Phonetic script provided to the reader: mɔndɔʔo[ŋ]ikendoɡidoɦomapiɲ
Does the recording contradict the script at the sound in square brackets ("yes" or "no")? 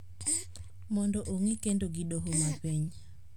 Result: no